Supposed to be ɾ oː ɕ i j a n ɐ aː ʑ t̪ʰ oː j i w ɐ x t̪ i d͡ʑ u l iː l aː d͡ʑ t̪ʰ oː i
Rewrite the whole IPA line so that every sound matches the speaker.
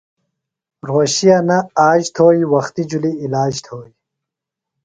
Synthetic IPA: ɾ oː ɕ i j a n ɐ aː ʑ t̪ʰ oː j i w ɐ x t̪ i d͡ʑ u l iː l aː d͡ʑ t̪ʰ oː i